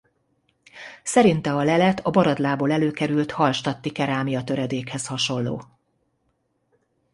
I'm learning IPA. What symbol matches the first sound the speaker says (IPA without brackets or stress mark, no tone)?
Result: s